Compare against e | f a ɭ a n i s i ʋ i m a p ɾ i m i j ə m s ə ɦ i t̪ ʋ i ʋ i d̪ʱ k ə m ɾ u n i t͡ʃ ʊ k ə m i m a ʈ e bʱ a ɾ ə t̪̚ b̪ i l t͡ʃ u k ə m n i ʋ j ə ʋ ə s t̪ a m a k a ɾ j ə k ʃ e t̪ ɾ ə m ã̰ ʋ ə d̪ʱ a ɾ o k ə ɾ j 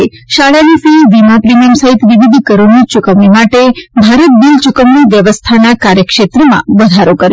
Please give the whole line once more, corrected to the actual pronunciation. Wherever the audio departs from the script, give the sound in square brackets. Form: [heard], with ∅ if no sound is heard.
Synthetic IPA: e | [ʃ] a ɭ a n i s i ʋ i m a p ɾ i m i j ə m s ə ɦ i t̪ ʋ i ʋ i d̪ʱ k ə [∅] ɾ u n i t͡ʃ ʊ k ə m i m a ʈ e bʱ a ɾ ə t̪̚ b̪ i l t͡ʃ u k ə m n i ʋ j ə ʋ ə s [t̪ʰ] a [n] a k a ɾ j ə k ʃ e t̪ ɾ ə m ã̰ ʋ ə d̪ʱ a ɾ o k ə ɾ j